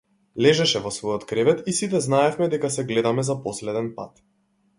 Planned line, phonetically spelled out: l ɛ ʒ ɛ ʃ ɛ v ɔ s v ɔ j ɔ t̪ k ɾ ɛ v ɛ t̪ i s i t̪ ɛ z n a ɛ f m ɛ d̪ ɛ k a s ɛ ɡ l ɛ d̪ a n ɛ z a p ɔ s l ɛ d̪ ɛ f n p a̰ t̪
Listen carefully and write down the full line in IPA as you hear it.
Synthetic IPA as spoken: l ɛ ʒ ɛ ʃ ɛ v ɔ s v ɔ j ɔ t̪ k ɾ ɛ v ɛ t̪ i s i t̪ ɛ z n a ɛ f m ɛ d̪ ɛ k a s ɛ ɡ l ɛ d̪ a m ɛ z a p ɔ s l ɛ d̪ ɛ n p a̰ t̪